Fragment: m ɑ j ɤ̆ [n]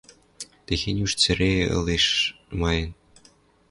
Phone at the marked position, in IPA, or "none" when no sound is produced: n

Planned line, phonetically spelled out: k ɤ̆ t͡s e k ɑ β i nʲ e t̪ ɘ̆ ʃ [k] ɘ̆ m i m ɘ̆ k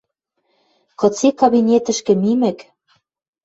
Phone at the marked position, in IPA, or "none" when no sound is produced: k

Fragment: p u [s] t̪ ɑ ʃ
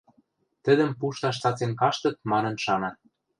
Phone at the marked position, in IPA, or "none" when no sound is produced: ʃ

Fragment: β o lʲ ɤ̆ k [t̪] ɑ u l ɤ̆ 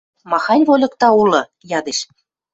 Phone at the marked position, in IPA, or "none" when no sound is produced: t̪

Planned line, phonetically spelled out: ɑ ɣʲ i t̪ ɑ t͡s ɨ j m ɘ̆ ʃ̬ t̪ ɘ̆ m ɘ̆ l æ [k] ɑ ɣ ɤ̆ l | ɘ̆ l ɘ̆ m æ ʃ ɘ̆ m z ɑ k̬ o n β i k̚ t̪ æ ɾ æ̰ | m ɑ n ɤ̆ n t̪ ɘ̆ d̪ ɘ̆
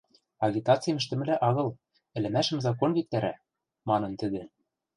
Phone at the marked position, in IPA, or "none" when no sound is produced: ʔ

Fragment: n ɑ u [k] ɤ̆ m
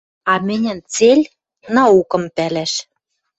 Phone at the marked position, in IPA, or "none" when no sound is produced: k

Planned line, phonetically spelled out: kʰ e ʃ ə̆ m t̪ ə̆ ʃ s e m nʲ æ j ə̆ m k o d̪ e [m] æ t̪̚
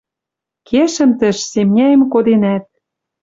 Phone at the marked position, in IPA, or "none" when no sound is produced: n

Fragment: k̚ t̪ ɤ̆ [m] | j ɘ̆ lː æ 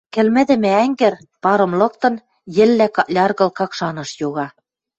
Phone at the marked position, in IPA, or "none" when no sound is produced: n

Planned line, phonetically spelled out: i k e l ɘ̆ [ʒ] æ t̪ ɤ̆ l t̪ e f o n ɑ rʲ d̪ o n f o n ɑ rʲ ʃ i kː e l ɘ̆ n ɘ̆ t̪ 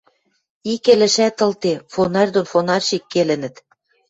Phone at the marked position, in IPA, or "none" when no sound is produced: ʃ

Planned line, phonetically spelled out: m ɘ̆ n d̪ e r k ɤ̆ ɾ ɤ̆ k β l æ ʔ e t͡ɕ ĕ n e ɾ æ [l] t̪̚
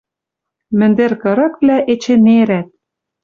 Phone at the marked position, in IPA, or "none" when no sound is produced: none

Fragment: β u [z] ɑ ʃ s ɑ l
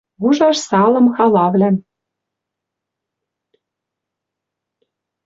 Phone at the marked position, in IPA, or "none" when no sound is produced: ʒ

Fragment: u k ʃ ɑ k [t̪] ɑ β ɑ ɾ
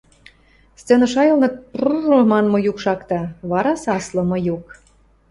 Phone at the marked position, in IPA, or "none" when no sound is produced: t̪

